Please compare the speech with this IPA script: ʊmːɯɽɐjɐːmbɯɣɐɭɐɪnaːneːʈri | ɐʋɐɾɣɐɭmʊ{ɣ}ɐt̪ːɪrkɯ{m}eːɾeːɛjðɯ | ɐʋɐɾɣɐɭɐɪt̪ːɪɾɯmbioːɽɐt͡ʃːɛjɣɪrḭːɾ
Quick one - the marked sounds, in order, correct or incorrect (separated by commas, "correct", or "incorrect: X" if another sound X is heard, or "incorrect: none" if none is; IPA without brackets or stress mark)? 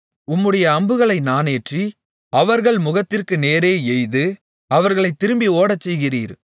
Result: correct, incorrect: n